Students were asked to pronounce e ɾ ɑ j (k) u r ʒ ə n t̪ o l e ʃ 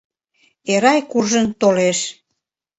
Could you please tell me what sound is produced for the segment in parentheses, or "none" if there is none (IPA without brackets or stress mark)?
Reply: k